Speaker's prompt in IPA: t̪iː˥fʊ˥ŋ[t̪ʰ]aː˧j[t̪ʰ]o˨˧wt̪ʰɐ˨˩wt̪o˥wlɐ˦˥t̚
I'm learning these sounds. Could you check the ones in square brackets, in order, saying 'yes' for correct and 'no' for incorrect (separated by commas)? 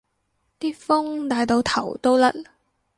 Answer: no, no